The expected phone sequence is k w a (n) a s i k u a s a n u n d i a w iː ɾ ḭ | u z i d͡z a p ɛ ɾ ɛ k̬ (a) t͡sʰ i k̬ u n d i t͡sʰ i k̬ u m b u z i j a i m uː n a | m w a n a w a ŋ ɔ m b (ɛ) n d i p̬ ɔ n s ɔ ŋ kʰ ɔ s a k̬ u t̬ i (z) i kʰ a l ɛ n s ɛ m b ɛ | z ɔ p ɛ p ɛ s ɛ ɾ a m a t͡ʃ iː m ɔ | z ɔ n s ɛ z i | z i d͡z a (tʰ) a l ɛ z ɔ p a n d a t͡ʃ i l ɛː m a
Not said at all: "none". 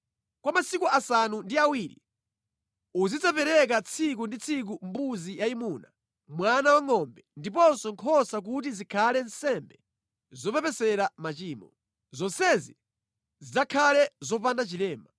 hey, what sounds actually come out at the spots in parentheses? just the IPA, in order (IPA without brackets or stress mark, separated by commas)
m, a, ɛ, z, kʰ